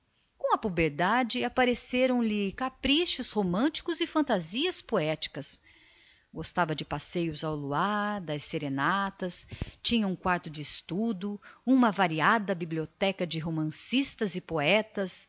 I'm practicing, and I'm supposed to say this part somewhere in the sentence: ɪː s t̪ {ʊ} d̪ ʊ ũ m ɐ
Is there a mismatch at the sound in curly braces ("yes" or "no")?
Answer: yes